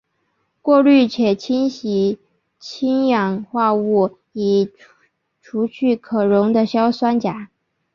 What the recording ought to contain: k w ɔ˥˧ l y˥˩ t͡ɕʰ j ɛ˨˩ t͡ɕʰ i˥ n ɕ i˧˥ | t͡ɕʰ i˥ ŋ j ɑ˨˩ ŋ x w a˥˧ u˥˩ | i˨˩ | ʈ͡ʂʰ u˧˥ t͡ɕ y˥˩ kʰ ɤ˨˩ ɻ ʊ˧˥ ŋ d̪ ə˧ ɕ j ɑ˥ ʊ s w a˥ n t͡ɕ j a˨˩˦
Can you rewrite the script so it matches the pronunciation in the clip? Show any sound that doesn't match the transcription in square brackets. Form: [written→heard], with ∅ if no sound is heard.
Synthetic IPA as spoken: k w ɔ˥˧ l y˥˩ t͡ɕʰ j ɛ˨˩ t͡ɕʰ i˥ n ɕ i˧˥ | t͡ɕʰ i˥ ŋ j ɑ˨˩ ŋ x w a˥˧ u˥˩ | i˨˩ | ʈ͡ʂʰ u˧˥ [t͡ɕ→t͡ɕʰ] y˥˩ kʰ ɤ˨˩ ɻ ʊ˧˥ ŋ d̪ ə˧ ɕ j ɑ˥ ʊ s w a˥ n t͡ɕ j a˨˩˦